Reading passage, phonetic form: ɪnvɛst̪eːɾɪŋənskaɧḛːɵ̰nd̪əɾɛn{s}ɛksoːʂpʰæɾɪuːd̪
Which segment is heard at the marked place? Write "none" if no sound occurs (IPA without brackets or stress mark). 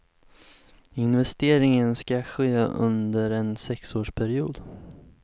s